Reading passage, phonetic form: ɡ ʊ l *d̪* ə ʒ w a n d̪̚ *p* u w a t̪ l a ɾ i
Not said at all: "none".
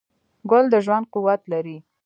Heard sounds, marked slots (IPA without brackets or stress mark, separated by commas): d̪, q